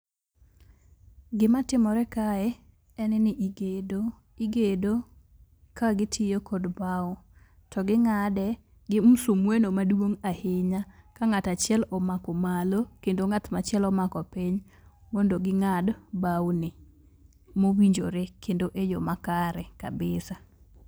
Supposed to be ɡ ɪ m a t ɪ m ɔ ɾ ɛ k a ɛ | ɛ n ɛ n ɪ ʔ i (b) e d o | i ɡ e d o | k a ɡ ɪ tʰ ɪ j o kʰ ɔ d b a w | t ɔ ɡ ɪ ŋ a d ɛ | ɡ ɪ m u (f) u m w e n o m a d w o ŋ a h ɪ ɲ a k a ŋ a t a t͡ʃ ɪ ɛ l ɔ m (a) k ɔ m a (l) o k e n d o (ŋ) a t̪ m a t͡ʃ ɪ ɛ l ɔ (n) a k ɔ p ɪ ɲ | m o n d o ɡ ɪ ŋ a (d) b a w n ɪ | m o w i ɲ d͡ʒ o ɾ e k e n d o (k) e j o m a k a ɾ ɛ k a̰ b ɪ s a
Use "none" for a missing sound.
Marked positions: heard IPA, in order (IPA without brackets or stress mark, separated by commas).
ɡ, s, a, l, ŋ, m, d, ʔ